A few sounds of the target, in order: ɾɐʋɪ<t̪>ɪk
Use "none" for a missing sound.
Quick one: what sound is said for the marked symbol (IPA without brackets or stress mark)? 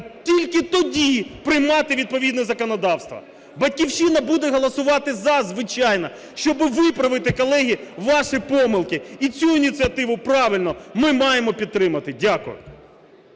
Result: t̪